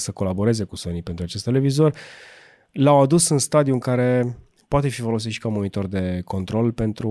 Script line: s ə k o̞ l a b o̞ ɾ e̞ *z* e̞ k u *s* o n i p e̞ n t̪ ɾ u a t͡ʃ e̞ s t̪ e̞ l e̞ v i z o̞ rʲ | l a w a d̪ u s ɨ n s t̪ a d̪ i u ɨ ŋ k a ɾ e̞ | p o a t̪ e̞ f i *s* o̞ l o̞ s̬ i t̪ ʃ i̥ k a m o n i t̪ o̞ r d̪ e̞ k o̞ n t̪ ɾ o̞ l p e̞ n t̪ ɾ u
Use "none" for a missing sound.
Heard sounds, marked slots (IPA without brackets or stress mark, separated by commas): z, s, f